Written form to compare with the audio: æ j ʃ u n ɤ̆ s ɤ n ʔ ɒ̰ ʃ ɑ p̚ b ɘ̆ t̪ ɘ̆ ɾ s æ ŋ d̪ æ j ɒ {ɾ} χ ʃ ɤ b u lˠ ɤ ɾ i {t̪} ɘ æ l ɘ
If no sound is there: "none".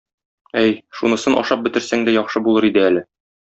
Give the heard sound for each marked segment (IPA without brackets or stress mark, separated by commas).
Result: none, d̪